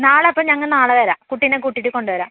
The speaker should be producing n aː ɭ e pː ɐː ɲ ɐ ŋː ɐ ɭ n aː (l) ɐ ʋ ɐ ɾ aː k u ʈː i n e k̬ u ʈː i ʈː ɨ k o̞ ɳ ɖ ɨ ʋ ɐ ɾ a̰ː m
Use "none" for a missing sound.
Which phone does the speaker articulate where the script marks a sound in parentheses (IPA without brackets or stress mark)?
ɭ